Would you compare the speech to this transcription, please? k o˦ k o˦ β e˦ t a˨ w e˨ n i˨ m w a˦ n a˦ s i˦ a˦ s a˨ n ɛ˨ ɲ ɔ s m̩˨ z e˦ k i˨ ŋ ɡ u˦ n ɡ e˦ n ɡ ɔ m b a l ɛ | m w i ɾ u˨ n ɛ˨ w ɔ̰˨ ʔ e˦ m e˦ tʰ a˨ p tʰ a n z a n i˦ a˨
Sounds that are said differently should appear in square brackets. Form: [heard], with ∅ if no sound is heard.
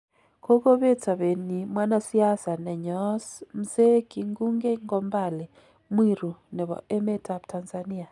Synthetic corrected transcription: k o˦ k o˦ β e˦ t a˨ [β] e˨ n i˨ m w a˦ n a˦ s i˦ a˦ s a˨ n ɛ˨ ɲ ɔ s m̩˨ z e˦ k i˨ ŋ ɡ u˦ [ŋ] ɡ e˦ [ŋ] ɡ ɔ m b a l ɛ | m w i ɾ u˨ n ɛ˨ [β] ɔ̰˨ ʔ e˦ m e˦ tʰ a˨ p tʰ a n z a n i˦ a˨